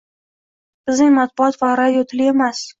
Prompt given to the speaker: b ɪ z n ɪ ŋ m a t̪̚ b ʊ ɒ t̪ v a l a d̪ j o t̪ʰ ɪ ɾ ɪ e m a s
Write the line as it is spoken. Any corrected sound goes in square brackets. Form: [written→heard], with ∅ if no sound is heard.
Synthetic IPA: b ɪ z n ɪ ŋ m a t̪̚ b ʊ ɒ t̪ v a [l→ɾ] a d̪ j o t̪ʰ ɪ [ɾ→l] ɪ e m a s